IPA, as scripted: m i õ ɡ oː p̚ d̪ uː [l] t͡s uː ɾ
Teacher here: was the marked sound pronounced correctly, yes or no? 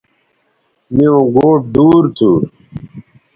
no